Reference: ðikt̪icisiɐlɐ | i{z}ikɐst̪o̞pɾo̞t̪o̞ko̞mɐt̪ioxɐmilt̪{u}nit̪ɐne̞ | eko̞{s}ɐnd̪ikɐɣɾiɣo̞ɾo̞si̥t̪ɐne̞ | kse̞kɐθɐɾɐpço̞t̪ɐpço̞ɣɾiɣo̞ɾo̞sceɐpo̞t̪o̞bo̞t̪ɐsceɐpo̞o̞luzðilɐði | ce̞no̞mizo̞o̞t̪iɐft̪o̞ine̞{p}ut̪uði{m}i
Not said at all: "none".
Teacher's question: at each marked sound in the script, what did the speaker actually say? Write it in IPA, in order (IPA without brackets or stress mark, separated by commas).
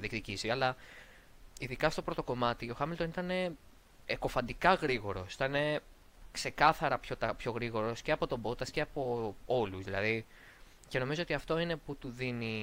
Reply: ð, o, f, p, n